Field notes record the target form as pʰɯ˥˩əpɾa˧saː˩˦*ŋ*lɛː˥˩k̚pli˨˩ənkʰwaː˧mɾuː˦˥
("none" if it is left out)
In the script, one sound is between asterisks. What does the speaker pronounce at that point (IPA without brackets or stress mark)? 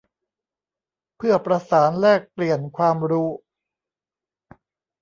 n